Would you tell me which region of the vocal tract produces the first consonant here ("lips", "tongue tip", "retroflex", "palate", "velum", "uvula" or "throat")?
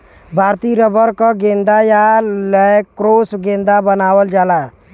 lips